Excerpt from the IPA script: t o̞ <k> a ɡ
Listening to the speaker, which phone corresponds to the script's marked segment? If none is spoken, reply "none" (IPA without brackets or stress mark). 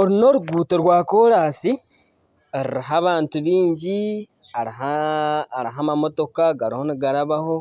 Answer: k